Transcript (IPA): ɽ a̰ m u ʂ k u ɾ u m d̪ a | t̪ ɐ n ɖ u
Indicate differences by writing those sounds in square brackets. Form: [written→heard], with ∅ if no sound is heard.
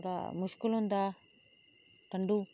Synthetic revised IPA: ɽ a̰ m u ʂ k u [ɾ→l] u [m→n] d̪ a | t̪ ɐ [n→ɳ] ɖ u